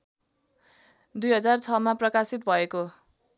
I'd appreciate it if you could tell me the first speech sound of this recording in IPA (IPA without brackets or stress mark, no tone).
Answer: d̪